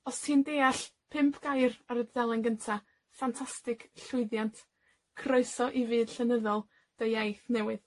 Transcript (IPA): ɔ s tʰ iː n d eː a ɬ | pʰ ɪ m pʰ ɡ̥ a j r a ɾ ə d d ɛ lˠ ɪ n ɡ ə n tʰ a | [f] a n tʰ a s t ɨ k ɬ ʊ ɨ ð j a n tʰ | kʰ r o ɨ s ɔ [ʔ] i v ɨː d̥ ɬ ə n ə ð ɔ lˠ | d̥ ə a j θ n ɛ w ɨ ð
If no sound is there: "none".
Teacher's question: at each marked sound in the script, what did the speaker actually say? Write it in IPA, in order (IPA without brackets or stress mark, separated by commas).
f, ʔ